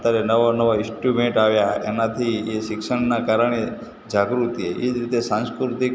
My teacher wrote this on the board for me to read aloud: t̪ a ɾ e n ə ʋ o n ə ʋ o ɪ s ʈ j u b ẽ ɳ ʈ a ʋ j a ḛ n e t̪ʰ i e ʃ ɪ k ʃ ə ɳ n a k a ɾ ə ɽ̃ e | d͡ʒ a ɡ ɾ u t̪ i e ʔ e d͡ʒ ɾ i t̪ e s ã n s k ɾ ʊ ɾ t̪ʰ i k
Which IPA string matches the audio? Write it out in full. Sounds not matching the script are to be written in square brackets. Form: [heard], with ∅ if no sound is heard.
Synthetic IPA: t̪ a ɾ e n ə ʋ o n ə ʋ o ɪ s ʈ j u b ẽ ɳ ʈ a ʋ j a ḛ n [a] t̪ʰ i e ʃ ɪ k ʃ ə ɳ n a k a ɾ ə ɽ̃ e | d͡ʒ a ɡ ɾ u t̪ i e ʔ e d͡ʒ ɾ i t̪ e s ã n s k ɾ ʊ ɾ [t̪] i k